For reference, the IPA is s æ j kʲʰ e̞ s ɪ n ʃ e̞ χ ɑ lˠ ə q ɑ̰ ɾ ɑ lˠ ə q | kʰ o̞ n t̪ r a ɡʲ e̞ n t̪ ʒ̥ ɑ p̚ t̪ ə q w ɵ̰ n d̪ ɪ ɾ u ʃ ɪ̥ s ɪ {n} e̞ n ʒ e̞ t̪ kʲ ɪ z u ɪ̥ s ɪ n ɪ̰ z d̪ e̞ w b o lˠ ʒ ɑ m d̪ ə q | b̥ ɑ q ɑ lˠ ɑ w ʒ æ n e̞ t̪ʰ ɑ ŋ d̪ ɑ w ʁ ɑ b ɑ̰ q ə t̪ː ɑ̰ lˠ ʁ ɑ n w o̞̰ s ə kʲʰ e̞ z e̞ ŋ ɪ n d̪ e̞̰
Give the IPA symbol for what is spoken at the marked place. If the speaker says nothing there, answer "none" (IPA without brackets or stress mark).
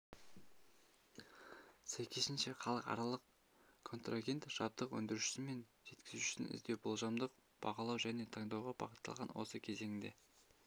m